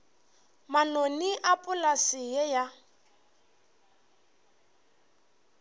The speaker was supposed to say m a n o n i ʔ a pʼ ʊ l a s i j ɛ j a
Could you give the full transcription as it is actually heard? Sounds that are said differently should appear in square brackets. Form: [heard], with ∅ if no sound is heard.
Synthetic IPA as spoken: m a n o n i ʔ a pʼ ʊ l a s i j ɛ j a